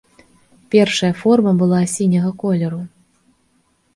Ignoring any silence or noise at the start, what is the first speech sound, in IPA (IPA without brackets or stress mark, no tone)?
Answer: pʲ